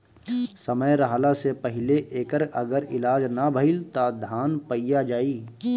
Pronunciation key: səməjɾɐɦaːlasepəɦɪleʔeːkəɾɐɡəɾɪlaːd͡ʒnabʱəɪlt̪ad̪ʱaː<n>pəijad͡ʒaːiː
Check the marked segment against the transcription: correct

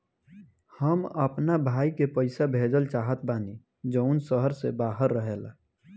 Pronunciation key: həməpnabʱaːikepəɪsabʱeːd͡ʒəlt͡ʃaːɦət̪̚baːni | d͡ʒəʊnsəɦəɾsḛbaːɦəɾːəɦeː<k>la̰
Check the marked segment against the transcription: incorrect: none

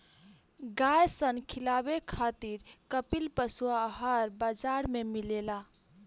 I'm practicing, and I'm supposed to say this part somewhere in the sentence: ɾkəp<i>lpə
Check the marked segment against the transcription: correct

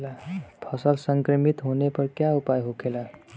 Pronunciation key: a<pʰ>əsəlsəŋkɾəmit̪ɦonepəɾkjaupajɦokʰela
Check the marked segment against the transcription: correct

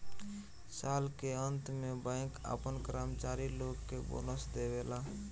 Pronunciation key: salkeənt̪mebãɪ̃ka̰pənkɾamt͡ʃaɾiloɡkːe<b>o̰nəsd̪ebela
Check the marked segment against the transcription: correct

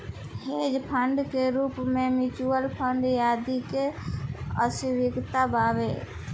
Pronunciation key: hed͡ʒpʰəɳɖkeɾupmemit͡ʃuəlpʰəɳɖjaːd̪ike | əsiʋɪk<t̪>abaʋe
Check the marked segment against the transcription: correct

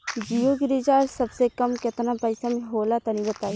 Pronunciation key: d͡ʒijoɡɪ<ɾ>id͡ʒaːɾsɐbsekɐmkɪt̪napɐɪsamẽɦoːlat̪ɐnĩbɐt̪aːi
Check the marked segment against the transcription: correct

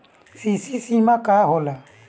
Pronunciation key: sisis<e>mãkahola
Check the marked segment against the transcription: incorrect: i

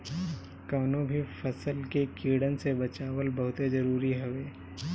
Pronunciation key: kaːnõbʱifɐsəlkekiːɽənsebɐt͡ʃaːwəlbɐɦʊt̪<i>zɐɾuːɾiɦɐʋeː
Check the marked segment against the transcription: incorrect: e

